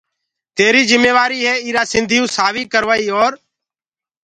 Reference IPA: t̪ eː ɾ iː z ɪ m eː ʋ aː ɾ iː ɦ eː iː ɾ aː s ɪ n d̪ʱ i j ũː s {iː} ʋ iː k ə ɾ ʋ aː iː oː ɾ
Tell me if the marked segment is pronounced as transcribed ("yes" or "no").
no